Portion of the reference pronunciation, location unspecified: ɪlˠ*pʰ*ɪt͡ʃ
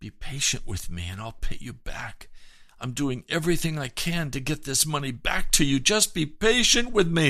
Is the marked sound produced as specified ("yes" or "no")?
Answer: yes